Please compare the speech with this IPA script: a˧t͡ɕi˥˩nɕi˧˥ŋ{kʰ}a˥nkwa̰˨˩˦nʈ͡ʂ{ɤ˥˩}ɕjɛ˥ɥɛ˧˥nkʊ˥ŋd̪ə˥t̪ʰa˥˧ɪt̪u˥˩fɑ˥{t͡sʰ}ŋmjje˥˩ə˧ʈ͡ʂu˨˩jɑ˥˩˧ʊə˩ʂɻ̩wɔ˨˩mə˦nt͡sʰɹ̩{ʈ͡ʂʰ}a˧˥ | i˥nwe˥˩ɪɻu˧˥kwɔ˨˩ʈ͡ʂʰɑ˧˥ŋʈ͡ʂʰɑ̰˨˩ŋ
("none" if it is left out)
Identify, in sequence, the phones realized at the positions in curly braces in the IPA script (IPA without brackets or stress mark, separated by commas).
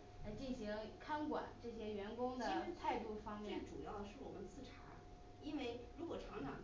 kʰ, ɤ˥˩, none, ʈ͡ʂʰ